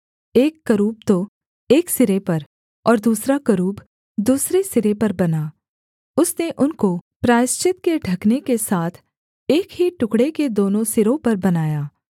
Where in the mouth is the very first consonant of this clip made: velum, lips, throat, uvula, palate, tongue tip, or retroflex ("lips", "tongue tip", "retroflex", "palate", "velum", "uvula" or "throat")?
velum